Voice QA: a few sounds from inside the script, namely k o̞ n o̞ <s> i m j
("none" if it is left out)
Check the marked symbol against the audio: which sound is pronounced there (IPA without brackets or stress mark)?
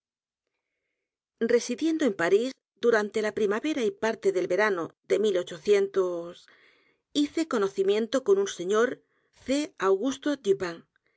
θ